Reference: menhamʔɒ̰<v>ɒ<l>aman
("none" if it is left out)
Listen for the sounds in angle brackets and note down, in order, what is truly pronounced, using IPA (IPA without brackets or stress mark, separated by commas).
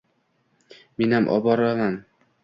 b, ɾ